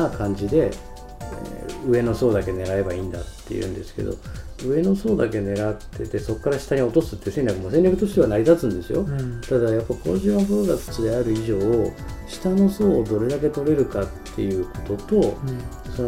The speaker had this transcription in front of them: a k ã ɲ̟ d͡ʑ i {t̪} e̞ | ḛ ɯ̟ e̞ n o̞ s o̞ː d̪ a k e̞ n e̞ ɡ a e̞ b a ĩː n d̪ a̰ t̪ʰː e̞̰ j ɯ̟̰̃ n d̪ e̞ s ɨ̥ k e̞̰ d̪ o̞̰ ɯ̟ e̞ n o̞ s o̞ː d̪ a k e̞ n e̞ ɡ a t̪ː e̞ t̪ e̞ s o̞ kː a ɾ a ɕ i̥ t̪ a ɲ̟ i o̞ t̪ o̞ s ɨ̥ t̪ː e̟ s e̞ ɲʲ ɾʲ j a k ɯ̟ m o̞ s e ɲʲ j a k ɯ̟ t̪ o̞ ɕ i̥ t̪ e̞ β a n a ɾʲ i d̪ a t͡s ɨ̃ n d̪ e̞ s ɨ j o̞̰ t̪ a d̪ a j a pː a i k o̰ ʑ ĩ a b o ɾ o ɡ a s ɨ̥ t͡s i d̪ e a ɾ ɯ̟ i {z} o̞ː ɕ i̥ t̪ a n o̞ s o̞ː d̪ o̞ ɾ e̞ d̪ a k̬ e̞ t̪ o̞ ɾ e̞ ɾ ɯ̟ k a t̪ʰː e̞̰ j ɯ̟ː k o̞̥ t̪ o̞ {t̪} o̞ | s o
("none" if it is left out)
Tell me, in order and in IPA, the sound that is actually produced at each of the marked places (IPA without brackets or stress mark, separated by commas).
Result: d̪, ʑ, t̪